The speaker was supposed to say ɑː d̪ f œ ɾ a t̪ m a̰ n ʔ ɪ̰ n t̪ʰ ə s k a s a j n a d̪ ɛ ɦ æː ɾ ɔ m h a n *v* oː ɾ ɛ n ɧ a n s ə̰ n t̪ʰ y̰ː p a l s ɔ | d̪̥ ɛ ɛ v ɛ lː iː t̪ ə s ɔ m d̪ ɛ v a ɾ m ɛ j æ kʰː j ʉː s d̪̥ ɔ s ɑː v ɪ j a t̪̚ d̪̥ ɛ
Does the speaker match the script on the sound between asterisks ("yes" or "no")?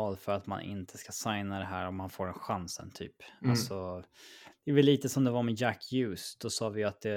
no